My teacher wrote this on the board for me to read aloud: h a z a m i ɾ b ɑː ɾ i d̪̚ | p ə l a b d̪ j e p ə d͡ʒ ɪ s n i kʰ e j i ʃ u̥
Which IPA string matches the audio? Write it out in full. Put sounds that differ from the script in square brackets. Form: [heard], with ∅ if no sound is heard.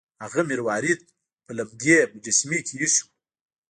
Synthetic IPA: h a [ɣ] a m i ɾ [w] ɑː ɾ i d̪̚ | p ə l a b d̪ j e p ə d͡ʒ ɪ s [m] i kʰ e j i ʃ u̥

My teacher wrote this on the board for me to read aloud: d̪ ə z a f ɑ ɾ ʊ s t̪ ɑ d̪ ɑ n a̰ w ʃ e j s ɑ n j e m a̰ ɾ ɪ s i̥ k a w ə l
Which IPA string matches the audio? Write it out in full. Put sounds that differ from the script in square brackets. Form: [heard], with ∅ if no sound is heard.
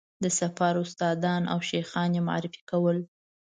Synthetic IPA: d̪ ə [s] a f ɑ ɾ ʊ s t̪ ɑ d̪ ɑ n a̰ w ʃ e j [x] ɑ n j e m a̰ ɾ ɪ [f] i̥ k a w ə l

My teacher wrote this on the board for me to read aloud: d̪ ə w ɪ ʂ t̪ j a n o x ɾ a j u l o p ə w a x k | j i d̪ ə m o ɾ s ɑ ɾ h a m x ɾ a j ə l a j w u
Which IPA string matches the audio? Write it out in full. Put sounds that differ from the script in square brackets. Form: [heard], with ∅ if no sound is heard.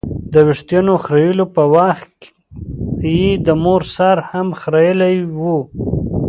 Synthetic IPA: d̪ ə w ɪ ʂ t̪ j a n o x ɾ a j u l o p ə w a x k | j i d̪ ə m o ɾ s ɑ ɾ h a m x ɾ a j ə l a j w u

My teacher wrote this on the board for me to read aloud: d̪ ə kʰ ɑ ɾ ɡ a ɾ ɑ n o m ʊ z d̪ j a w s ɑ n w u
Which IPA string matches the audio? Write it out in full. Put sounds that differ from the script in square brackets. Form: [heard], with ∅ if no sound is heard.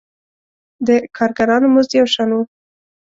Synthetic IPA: d̪ ə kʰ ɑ ɾ ɡ a ɾ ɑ n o m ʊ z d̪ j a w [ʃ] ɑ n w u

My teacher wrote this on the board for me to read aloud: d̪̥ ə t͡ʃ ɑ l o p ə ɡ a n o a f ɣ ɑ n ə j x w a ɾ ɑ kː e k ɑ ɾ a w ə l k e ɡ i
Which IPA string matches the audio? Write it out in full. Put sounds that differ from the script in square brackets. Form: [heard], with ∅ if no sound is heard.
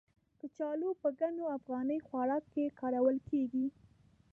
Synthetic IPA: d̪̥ ə t͡ʃ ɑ l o p ə ɡ a n o a f ɣ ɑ n ə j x w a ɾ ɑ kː e k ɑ ɾ a w ə l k e ɡ i

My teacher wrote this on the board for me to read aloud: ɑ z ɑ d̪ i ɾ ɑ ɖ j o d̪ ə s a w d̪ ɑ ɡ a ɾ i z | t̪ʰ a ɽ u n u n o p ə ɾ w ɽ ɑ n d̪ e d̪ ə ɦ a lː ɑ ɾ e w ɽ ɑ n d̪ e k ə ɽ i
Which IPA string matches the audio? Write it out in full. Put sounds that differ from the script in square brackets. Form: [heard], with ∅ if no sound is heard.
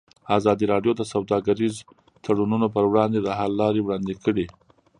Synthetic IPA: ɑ z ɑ d̪ i ɾ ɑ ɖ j o d̪ ə s a w d̪ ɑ ɡ a ɾ i z | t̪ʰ a ɽ u n u n o p ə ɾ w ɽ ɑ n d̪ e d̪ ə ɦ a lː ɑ ɾ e w ɽ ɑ n d̪ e k ə ɽ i

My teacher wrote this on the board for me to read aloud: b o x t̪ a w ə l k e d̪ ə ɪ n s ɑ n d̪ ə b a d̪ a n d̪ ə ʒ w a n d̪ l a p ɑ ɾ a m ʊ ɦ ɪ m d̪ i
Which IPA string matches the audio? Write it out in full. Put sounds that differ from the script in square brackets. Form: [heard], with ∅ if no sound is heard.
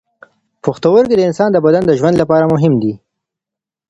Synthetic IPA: [p] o x t̪ a w ə [ɾ] k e d̪ ə ɪ n s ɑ n d̪ ə b a d̪ a n d̪ ə ʒ w a n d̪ l a p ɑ ɾ a m ʊ ɦ ɪ m d̪ i

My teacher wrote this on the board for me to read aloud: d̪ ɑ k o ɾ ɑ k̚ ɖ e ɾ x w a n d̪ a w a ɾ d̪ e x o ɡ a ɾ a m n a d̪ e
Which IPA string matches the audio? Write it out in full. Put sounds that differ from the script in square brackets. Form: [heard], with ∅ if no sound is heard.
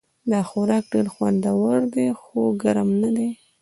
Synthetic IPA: d̪ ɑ [x] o ɾ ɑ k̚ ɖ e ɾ x w a n d̪ a w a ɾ d̪ e x o ɡ a ɾ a m n a d̪ e

